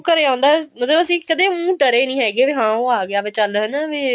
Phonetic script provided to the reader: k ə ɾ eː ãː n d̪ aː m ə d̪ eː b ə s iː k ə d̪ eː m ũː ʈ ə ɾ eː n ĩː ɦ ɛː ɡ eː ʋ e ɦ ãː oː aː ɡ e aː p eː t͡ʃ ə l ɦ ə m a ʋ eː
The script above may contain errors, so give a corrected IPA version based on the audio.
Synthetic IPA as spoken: k ə ɾ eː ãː n d̪ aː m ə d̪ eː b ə s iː k ə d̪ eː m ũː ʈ ə ɾ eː n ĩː ɦ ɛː ɡ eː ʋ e ɦ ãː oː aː ɡ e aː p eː t͡ʃ ə l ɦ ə n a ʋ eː